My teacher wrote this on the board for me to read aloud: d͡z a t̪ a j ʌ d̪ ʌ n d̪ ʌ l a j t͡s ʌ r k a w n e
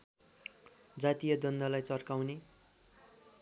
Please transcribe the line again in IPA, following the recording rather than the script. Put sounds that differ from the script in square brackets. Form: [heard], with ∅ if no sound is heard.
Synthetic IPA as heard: d͡z a t̪ [i] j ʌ d̪ ʌ n d̪ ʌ l a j t͡s ʌ r k a w n e